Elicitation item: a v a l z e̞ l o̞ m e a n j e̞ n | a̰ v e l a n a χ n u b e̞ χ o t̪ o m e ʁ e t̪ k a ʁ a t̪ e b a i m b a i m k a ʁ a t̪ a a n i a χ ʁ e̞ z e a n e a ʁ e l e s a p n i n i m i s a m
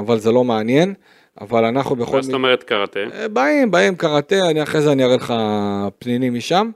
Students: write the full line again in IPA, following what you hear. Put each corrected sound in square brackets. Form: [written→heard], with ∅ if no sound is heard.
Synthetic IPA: a v a l z e̞ l o̞ m e a n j e̞ n | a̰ v [e→a] l a n a χ n u b e̞ χ o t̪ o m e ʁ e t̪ k a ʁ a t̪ e b a i m b a i m k a ʁ a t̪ [a→e] a n i a χ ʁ e̞ z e a n [e→i] a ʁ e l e [s→χ] a p n i n i m i [s→ʃ] a m